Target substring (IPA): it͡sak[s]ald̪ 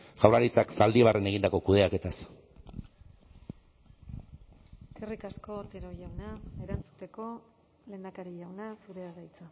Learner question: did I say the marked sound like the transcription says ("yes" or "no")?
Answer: yes